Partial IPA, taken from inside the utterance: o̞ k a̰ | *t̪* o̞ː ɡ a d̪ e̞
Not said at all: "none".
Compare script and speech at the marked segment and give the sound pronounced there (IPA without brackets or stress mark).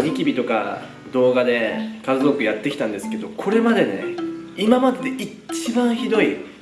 d̪